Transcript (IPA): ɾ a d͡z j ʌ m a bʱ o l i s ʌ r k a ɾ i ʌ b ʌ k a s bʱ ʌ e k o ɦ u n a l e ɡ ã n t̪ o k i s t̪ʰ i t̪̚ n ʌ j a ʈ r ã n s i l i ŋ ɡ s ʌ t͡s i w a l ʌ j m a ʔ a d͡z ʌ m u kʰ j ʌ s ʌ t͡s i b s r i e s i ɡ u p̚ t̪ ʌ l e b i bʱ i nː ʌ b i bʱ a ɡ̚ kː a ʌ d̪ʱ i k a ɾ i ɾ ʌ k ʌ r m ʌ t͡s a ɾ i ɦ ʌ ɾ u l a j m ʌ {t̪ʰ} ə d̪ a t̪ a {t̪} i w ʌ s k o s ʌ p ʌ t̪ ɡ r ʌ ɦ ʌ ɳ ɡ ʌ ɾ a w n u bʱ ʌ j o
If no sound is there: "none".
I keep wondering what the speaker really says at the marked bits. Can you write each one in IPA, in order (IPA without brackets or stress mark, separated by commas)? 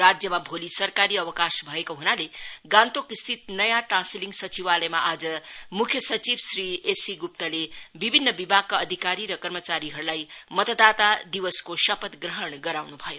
t̪, d̪